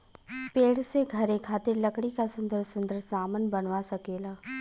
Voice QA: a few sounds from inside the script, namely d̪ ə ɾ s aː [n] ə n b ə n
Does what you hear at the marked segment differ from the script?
yes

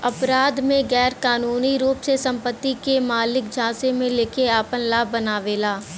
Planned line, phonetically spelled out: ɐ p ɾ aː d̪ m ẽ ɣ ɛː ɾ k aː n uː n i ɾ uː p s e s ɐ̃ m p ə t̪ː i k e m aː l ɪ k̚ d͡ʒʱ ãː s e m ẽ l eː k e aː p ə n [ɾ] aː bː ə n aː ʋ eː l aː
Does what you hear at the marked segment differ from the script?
yes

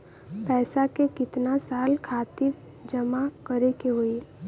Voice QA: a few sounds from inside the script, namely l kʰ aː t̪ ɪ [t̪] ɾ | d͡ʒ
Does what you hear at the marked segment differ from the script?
yes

